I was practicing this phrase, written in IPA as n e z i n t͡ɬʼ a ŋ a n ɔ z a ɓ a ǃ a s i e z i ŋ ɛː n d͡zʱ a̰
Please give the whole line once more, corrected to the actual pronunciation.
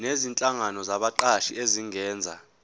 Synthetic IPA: n e z i n t͡ɬʼ a ŋ a n ɔ z a ɓ a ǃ a ʃ i e z i ŋ ɛː n d͡zʱ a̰